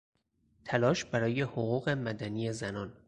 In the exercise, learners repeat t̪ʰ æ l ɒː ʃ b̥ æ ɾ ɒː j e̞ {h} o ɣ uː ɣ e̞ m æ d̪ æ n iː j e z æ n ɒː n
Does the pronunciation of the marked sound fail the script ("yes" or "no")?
no